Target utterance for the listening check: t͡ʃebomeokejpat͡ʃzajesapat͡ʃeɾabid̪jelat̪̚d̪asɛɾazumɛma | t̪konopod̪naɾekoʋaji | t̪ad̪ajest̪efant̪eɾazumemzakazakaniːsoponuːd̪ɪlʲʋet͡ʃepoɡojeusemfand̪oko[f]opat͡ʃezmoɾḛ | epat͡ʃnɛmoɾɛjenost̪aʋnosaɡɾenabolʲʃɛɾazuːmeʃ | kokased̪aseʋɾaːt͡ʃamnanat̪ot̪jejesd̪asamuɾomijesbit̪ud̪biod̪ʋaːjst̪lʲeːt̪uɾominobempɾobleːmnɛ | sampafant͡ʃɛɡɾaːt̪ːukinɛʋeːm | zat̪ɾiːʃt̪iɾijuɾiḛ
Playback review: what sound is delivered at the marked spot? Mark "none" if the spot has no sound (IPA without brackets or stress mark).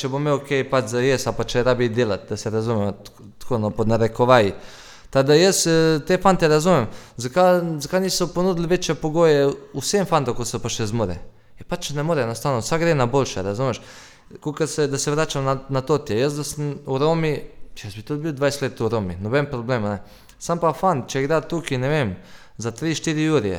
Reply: s